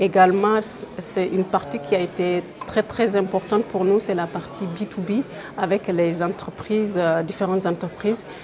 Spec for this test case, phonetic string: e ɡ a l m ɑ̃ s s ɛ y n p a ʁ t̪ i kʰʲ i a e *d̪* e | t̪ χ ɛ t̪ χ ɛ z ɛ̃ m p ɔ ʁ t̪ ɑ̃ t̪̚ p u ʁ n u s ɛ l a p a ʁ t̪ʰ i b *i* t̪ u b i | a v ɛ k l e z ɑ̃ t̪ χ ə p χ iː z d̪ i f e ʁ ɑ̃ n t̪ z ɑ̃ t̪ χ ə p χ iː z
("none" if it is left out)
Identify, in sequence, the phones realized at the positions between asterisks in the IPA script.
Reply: t̪, i

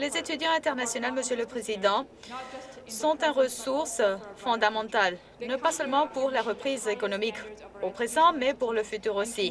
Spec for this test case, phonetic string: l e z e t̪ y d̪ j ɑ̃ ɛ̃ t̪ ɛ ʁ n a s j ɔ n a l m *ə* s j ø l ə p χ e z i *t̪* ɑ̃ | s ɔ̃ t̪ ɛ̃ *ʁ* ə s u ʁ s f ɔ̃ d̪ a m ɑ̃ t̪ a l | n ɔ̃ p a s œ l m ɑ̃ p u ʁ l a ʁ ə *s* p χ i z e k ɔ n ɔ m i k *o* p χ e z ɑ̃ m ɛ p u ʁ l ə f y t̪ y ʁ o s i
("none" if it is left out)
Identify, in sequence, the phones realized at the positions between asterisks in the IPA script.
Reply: ə, d̪, ʁ, none, o

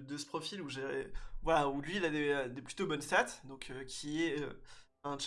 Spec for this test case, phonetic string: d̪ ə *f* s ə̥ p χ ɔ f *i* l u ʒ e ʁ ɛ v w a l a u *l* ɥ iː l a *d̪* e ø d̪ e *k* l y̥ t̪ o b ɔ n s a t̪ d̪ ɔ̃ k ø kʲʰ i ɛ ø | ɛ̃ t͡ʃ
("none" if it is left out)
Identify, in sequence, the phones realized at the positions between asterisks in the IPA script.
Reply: none, i, l, d̪, p

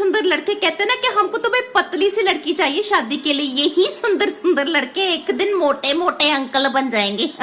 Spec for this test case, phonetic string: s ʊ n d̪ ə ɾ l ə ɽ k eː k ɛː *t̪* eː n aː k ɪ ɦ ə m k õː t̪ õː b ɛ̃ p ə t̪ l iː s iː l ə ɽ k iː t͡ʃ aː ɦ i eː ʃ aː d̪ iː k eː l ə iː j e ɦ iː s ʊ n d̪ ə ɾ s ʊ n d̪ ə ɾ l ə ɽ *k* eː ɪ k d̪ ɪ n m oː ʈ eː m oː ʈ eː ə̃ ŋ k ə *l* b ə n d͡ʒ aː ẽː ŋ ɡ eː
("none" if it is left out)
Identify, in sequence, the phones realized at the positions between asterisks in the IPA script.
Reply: t̪, k, l

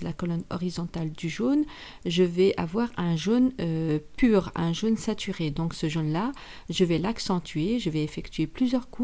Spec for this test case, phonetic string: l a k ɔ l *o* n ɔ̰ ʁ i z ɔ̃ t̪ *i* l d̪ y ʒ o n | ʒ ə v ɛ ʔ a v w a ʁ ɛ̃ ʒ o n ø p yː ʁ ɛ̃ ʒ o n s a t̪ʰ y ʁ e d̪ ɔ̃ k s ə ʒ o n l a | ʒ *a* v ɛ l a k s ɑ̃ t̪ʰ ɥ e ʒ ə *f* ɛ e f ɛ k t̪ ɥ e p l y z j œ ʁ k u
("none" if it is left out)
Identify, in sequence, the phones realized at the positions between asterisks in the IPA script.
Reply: ɔ, a, ə, v

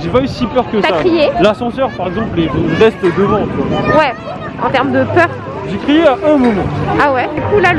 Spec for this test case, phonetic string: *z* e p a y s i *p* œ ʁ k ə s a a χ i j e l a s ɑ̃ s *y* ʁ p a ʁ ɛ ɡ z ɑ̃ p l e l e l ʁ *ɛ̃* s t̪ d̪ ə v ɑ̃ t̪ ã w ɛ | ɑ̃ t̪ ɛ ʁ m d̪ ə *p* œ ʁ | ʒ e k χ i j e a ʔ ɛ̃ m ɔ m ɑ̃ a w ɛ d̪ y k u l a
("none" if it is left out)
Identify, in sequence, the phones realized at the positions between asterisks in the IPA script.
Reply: ʒ, p, œ, ɛ, p

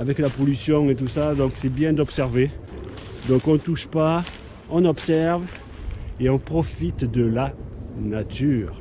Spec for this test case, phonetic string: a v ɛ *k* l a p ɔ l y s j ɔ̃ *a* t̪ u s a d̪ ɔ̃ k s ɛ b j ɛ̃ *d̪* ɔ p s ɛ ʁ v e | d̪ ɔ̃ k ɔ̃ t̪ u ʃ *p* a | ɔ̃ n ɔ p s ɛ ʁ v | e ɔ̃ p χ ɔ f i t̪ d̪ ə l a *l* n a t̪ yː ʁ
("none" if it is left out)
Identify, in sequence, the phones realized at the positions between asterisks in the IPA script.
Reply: k, e, d̪, p, none

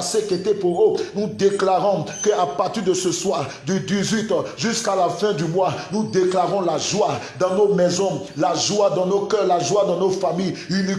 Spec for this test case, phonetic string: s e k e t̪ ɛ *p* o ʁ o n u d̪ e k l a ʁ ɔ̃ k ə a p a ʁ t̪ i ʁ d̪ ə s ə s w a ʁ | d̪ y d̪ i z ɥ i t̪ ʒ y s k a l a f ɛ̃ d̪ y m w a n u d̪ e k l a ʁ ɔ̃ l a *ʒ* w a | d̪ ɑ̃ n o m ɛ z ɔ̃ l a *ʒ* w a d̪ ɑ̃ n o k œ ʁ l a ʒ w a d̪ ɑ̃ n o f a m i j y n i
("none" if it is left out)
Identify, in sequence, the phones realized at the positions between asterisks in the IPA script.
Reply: p, ʒ, ʒ

